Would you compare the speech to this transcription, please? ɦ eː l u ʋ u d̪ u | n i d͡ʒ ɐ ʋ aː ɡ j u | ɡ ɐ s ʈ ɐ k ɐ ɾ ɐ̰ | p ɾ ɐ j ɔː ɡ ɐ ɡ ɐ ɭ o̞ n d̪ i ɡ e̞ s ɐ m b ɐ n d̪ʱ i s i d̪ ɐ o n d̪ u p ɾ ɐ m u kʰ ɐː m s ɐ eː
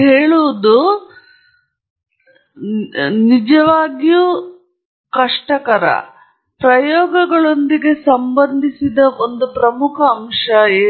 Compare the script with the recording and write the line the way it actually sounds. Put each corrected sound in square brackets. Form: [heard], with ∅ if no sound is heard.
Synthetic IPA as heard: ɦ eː [ɭ] u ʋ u d̪ u | n i d͡ʒ ɐ ʋ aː ɡ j u | [k] ɐ [ʂ] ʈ ɐ k ɐ ɾ ɐ̰ | p ɾ ɐ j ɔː ɡ ɐ ɡ ɐ ɭ o̞ n d̪ i ɡ e̞ s ɐ m b ɐ n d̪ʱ i s i d̪ ɐ o n d̪ u p ɾ ɐ m u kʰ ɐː m [ʂ] ɐ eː